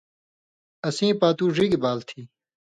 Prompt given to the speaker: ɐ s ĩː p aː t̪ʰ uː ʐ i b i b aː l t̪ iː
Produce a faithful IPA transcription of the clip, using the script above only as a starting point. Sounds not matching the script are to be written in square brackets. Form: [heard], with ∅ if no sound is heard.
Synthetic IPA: ɐ s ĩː p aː [t̪] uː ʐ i [ɡ] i b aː l [t̪ʰ] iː